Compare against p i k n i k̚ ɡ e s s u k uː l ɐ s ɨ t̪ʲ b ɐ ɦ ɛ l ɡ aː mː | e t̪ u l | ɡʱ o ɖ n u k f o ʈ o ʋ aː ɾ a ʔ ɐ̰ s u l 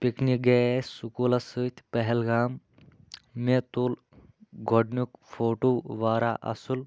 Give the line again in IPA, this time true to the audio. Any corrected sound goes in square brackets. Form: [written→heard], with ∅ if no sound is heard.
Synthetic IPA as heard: p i k n i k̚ ɡ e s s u k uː l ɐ s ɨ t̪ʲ [b→p] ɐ ɦ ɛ l ɡ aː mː | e t̪ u l | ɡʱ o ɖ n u k f o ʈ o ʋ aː ɾ a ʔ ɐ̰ s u l